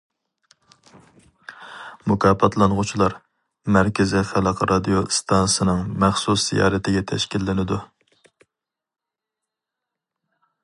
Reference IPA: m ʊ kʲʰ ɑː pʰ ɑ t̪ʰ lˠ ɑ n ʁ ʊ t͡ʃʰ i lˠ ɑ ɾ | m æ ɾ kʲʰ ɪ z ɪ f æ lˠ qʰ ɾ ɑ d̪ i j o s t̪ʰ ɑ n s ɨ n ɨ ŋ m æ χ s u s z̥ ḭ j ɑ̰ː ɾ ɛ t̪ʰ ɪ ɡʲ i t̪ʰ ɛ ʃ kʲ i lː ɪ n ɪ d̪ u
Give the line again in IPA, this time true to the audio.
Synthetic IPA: m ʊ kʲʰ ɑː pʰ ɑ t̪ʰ lˠ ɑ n ʁ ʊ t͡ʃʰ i lˠ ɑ ɾ | m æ ɾ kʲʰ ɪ z ɪ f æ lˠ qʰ ɾ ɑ d̪ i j o s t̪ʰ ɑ n s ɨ n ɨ ŋ m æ χ s u s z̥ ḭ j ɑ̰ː ɾ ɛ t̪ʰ ɪ ɡʲ ɛ t̪ʰ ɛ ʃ kʲ i lː ɪ n ɪ d̪ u